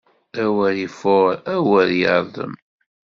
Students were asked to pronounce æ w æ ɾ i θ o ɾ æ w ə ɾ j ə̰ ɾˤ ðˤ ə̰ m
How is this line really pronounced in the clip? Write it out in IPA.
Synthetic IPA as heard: æ w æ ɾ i f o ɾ æ w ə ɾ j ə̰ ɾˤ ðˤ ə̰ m